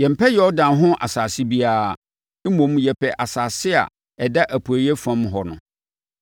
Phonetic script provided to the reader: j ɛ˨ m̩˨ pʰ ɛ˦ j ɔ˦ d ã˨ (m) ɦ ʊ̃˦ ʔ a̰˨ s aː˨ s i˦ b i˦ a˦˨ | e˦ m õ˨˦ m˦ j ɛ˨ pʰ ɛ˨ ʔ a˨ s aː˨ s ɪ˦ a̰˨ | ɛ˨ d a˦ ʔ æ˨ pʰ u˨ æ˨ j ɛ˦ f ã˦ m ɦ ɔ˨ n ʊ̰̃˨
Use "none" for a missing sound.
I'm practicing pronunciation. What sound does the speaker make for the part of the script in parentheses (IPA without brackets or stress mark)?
n